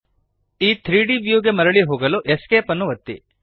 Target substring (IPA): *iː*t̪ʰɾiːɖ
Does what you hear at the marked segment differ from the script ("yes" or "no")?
no